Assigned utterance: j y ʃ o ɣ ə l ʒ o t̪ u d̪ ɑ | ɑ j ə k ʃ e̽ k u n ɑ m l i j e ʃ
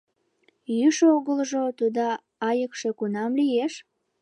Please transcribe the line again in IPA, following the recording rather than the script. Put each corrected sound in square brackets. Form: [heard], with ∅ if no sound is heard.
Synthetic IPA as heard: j y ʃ o ɣ ə l ʒ o t̪ u d̪ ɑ | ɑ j ə k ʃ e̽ k u n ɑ m l i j e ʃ